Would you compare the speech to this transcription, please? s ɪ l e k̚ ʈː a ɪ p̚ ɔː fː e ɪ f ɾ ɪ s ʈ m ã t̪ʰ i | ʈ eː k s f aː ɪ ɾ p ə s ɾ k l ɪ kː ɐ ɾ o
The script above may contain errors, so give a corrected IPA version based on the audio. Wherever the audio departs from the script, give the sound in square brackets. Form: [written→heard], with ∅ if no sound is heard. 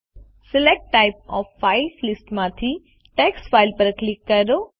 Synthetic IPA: s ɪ l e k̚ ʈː a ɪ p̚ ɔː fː [e→a] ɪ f [ɾ→l] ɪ s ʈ m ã t̪ʰ i | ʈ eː k s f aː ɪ [ɾ→l] p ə [s→∅] ɾ k l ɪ kː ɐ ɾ o